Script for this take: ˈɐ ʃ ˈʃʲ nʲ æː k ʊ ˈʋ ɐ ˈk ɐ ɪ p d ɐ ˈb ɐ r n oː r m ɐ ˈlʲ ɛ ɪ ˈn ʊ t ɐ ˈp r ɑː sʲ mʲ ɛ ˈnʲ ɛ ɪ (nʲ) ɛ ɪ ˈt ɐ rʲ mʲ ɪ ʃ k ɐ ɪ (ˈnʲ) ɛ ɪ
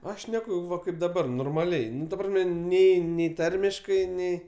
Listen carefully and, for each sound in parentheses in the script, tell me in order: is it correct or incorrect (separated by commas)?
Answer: correct, correct